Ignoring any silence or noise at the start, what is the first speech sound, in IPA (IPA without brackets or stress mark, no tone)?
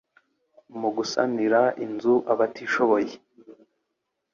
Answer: m